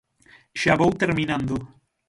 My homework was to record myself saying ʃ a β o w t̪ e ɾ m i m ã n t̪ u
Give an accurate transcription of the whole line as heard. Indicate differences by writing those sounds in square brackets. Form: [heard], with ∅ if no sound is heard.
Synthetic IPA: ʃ a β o w t̪ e ɾ m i [n] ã n [d̪] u